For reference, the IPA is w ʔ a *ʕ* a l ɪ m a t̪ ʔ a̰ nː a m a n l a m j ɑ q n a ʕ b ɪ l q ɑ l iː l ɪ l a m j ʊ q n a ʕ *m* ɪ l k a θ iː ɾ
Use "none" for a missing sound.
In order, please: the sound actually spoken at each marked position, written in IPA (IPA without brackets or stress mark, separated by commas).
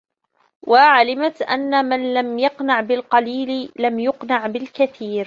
ʕ, b